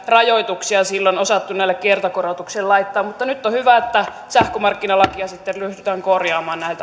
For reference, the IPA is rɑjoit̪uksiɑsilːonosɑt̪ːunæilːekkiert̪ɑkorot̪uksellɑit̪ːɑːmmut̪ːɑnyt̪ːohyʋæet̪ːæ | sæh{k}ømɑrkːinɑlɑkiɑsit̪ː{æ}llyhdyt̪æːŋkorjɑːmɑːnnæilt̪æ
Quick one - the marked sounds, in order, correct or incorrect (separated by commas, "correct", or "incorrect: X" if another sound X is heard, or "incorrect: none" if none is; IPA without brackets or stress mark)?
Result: correct, incorrect: e